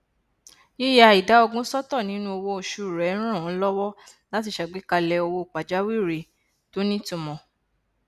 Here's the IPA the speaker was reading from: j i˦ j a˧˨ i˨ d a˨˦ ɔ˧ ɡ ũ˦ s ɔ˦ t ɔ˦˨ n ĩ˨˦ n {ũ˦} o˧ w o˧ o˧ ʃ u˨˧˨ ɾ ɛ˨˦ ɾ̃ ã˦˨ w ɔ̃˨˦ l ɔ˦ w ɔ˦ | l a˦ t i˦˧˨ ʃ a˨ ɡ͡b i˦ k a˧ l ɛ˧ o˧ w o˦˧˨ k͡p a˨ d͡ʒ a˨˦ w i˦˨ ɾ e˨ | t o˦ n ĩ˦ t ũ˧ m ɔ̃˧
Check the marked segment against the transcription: correct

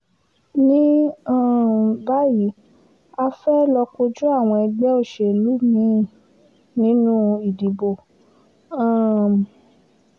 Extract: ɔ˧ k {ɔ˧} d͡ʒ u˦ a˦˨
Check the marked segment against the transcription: incorrect: o˧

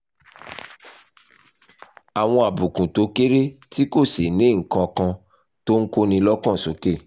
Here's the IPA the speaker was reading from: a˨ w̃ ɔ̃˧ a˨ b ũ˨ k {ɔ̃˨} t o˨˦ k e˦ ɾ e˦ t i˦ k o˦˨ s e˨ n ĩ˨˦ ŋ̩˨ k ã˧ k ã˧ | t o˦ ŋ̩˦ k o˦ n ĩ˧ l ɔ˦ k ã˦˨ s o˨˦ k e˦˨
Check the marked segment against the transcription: incorrect: ũ˨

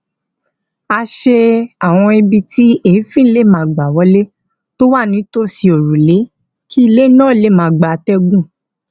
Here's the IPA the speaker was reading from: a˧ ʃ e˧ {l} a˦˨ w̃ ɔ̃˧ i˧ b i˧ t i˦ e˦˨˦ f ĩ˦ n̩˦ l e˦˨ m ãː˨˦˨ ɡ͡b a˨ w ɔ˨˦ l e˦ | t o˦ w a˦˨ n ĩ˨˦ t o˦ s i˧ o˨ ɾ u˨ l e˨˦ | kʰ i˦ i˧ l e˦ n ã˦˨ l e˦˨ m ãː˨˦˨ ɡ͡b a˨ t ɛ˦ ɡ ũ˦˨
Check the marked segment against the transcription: incorrect: none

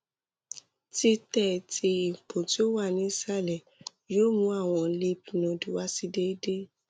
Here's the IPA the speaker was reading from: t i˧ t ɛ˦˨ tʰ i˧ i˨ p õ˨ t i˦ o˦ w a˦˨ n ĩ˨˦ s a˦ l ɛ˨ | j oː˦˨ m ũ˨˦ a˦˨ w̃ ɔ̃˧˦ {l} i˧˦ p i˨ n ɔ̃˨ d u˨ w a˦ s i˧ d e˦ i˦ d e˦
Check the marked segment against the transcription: correct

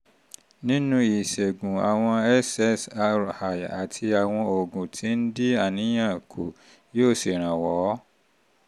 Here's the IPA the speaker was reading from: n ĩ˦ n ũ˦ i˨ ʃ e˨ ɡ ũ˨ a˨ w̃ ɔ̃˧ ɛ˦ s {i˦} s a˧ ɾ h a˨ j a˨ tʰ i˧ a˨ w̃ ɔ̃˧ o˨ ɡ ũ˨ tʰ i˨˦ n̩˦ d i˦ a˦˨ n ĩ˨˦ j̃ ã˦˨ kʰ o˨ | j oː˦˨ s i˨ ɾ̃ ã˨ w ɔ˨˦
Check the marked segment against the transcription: incorrect: ɛ˦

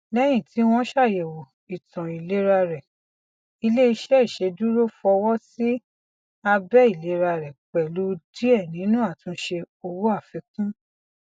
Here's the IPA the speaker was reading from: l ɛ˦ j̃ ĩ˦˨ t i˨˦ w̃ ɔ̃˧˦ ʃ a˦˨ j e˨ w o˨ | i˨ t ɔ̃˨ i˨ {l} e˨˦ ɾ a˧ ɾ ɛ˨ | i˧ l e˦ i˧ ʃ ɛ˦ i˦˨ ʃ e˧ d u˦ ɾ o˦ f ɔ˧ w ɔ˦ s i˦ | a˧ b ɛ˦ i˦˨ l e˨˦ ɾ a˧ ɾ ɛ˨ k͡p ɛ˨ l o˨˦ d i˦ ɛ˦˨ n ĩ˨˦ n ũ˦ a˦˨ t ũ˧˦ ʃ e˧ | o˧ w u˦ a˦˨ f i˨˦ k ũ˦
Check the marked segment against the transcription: correct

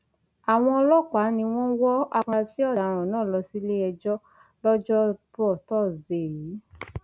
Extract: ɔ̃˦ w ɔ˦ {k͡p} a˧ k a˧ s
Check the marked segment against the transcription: incorrect: none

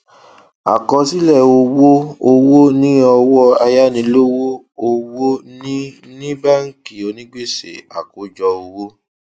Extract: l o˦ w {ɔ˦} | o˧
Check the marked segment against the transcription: incorrect: o˦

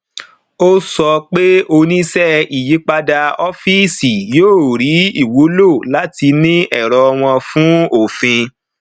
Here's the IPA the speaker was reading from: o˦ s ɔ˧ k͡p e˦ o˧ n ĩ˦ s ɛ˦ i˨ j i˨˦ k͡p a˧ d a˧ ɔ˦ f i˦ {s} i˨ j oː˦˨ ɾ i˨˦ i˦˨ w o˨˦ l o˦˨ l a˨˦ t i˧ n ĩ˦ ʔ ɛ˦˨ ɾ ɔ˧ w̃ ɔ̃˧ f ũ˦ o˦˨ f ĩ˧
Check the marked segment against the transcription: correct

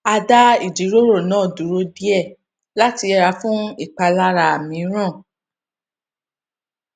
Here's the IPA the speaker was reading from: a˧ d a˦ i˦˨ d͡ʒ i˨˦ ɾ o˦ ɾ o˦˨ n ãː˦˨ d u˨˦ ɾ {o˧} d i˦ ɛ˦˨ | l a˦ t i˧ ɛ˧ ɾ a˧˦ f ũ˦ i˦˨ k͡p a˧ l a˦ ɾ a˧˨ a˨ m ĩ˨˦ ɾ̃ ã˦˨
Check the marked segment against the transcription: correct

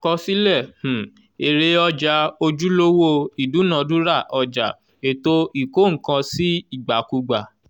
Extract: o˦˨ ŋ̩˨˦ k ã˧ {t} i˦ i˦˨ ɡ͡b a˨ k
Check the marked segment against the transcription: incorrect: s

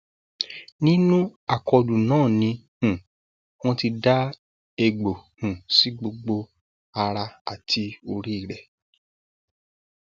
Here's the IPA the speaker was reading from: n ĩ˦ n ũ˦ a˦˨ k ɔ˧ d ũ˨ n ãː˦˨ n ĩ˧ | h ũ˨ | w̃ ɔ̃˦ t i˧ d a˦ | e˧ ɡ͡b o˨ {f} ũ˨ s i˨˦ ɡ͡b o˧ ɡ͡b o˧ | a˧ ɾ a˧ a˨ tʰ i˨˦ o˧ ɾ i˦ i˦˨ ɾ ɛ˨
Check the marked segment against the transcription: incorrect: h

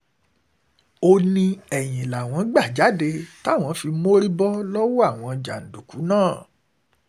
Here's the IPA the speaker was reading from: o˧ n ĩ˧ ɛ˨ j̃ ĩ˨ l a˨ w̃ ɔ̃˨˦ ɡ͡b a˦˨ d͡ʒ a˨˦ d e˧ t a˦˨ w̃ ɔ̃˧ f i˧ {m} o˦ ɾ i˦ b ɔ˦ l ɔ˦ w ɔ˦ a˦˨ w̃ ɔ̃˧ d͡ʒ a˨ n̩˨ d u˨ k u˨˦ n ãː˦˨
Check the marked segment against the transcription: correct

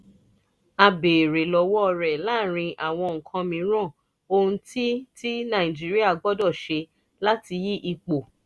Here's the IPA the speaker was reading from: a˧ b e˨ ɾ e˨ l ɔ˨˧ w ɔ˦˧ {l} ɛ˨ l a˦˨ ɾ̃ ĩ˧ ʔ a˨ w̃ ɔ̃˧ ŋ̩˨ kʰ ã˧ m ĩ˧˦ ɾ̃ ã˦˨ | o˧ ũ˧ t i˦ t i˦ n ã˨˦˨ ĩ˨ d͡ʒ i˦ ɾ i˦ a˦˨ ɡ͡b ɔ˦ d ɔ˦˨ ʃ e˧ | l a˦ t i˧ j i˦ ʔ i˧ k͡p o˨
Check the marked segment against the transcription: incorrect: ɾ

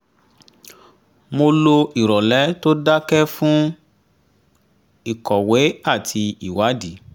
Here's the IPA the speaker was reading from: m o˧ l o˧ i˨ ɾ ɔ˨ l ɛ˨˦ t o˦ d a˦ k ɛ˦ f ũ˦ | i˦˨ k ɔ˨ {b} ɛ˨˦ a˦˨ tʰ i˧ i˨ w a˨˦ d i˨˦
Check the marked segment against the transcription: incorrect: w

